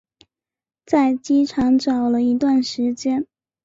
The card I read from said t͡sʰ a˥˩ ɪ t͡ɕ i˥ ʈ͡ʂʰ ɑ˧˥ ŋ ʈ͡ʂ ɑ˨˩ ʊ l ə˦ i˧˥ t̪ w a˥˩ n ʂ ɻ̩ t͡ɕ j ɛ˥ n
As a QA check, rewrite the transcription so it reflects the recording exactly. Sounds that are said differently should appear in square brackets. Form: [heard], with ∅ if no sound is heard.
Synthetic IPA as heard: [t͡s] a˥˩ ɪ t͡ɕ i˥ ʈ͡ʂʰ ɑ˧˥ ŋ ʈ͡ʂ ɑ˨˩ ʊ l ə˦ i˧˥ t̪ w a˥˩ n ʂ ɻ̩ t͡ɕ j ɛ˥ n